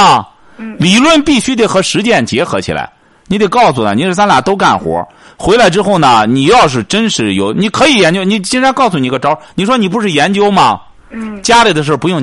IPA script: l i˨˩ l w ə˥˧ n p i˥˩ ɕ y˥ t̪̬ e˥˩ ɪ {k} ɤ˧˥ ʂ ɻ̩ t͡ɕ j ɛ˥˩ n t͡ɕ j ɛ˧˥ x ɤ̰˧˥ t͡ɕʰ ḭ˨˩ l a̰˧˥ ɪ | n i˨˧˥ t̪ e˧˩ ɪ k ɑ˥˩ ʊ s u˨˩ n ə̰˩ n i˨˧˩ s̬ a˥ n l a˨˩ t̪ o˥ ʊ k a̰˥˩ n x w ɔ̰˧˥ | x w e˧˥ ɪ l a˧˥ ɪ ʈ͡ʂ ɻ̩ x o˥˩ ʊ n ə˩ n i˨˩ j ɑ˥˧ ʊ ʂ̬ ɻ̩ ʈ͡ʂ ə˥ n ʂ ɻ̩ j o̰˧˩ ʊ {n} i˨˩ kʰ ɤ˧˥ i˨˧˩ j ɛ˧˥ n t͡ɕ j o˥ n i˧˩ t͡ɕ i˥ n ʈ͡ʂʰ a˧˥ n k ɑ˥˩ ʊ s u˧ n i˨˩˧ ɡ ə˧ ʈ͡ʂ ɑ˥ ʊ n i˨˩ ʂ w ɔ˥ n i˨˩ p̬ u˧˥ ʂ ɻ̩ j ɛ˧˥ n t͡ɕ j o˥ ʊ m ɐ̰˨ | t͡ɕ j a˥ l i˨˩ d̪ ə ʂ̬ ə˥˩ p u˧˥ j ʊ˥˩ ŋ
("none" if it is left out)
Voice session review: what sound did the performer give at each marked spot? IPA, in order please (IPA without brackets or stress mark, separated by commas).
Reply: x, n